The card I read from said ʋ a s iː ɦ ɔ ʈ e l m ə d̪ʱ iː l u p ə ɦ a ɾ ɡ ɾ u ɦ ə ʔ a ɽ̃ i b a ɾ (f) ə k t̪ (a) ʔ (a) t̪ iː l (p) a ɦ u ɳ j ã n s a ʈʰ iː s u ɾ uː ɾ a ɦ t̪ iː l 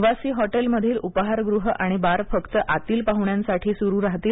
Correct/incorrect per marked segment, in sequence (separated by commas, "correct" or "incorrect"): correct, incorrect, correct, correct